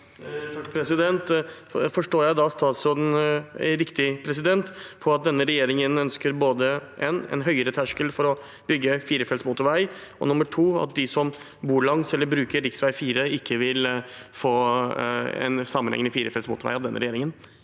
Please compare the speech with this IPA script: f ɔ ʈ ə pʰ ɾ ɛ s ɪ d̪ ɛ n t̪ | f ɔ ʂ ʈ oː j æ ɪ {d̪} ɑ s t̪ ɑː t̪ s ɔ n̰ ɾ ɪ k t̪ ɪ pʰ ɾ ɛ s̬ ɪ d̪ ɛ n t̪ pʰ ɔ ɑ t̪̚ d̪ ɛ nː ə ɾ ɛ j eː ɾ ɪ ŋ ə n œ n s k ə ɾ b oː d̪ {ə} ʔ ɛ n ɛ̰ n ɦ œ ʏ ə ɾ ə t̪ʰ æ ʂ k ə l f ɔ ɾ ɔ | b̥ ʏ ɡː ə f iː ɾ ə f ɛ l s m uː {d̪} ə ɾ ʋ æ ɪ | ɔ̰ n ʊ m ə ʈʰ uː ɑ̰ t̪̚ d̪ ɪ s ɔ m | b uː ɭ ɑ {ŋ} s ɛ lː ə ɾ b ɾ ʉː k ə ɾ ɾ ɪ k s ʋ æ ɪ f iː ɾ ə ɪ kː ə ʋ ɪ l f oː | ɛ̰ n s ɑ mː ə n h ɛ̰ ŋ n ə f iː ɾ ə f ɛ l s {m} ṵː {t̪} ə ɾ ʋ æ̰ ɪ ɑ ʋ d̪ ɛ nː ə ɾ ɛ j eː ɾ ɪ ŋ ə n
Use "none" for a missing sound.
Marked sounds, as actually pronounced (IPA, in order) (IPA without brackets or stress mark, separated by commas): d̪, ə, t̪, ŋ, m, t̪